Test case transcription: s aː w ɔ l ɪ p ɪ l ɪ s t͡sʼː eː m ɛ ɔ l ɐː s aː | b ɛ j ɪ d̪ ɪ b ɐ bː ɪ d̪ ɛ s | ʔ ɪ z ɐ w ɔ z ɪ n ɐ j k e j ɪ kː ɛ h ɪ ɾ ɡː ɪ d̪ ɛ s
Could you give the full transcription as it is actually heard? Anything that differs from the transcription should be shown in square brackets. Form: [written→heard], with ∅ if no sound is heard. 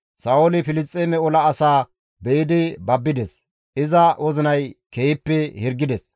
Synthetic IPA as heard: s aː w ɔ l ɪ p ɪ l ɪ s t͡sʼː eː m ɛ ɔ l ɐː s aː | b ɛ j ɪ d̪ ɪ b ɐ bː ɪ d̪ ɛ s | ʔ ɪ z ɐ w ɔ z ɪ n ɐ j k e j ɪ [kː→pː] ɛ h ɪ ɾ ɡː ɪ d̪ ɛ s